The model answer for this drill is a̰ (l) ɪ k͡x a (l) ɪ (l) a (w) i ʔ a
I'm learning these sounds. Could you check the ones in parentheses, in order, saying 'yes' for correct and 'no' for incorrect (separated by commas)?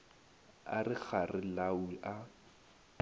no, no, yes, yes